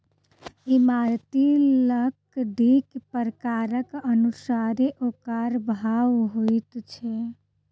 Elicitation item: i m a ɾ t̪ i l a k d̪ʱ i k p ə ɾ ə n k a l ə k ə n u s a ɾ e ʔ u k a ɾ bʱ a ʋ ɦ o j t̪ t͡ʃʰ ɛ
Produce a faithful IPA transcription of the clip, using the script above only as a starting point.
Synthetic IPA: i m a ɾ t̪ i l ə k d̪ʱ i k p ə ɾ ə k a ɾ ə k ə n u s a ɾ e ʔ o k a ɾ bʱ a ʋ ɦ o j t̪ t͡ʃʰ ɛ